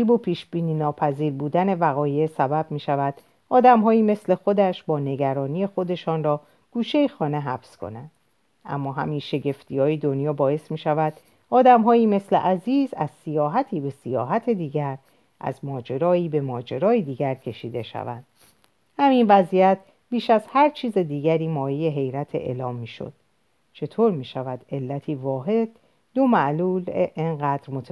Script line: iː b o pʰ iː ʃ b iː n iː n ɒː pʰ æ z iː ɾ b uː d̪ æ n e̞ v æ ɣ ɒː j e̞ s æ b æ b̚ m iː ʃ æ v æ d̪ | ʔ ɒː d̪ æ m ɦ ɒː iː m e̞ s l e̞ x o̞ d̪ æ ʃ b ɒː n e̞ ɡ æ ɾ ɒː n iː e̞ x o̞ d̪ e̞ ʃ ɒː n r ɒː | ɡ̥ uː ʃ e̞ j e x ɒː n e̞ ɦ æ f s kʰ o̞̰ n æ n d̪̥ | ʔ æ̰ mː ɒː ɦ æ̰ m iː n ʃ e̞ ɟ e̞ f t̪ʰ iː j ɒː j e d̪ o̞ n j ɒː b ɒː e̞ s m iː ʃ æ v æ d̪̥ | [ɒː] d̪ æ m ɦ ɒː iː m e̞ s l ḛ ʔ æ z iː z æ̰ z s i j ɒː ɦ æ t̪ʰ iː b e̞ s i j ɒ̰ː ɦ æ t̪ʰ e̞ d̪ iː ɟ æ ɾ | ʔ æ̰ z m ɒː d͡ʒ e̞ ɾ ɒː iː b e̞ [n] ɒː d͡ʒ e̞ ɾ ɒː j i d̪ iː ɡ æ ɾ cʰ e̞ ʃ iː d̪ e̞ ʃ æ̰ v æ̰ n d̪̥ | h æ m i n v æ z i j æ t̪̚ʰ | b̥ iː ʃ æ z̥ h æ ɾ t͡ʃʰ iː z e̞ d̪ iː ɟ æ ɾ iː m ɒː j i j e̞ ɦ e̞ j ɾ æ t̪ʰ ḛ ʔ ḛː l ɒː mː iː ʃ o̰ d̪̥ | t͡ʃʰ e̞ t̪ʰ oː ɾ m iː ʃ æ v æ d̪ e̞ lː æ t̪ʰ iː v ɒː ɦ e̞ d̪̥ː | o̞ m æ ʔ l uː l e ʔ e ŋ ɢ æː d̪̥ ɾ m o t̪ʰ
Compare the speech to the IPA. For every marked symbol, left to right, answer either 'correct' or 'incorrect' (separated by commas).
correct, incorrect